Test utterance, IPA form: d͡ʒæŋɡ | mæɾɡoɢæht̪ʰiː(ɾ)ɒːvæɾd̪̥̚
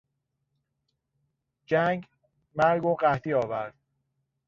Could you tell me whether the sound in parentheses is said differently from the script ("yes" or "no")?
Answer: yes